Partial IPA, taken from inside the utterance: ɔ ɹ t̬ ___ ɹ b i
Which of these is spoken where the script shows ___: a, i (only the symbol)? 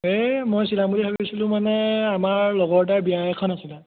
a